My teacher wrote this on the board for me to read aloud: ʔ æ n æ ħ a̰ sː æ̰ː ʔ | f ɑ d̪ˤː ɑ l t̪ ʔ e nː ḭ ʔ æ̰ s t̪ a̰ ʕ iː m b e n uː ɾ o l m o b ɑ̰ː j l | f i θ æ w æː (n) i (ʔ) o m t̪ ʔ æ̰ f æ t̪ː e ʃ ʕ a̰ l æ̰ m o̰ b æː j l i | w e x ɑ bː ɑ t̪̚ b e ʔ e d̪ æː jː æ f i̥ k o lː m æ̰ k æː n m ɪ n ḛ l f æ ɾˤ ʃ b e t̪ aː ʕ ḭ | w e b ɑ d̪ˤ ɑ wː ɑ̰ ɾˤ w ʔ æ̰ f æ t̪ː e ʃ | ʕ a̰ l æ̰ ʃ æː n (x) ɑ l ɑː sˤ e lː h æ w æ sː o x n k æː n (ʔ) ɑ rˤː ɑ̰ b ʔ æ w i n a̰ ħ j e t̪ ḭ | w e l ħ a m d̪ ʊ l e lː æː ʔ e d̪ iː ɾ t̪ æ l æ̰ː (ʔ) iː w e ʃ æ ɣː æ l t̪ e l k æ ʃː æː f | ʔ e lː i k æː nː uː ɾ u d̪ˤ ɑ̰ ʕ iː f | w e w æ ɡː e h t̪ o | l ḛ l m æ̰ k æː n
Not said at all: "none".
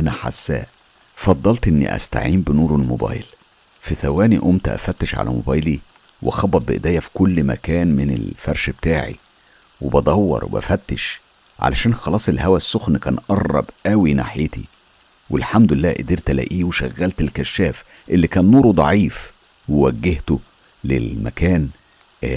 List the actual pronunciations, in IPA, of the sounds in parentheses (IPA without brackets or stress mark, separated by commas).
n, ʔ, x, ʔ, ʔ